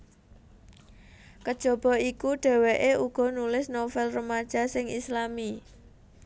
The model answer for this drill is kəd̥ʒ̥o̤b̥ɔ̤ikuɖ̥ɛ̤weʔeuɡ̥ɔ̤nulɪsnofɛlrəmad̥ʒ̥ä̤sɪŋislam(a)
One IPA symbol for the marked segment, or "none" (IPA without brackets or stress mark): i